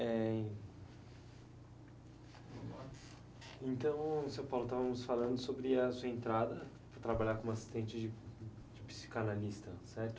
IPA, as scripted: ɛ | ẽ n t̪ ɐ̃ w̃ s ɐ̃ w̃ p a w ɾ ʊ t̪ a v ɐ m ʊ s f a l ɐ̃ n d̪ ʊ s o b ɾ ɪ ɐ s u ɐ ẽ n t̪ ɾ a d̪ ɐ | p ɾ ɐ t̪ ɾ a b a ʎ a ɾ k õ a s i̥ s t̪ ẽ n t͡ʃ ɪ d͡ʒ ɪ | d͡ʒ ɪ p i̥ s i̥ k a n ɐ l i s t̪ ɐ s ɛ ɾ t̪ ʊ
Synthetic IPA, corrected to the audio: ɛ | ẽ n t̪ ɐ̃ w̃ s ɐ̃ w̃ p a w l ʊ t̪ a v ɐ m ʊ s f a l ɐ̃ n d̪ ʊ s o b ɾ ɪ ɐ s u ɐ ẽ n t̪ ɾ a d̪ ɐ | p ɾ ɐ t̪ ɾ a b a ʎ a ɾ k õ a s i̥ s t̪ ẽ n t͡ʃ ɪ d͡ʒ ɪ | d͡ʒ ɪ p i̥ s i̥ k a n a l i s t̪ ɐ s ɛ ɾ t̪ ʊ